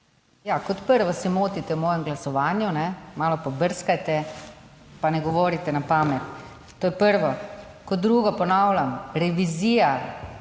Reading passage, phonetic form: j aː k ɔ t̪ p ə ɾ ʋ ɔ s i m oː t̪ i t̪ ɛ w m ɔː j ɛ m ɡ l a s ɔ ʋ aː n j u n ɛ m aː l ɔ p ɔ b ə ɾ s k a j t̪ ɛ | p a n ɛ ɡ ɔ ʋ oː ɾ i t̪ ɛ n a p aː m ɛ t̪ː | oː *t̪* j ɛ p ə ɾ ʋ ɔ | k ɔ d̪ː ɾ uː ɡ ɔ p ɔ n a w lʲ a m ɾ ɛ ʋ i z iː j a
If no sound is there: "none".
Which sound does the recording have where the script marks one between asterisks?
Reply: none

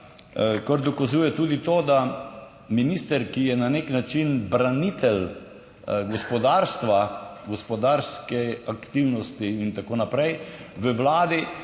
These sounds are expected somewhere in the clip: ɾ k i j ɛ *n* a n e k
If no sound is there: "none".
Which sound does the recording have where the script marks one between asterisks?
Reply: n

